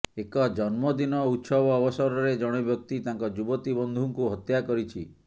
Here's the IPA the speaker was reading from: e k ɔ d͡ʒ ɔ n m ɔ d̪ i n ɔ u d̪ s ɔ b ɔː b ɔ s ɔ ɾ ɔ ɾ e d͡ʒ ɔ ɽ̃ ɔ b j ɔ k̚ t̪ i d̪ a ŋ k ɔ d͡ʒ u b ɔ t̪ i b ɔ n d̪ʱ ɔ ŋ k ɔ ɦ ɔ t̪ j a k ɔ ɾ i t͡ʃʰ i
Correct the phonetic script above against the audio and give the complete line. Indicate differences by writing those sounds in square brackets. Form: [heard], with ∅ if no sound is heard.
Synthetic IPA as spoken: e k ɔ d͡ʒ ɔ n m ɔ d̪ i n ɔ u [t̪] s ɔ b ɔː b ɔ s ɔ ɾ ɔ ɾ e d͡ʒ ɔ ɽ̃ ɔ b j ɔ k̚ t̪ i [t̪] a ŋ k ɔ d͡ʒ u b ɔ t̪ i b ɔ n d̪ʱ [u] ŋ k [u] ɦ ɔ t̪ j a k ɔ ɾ i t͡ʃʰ i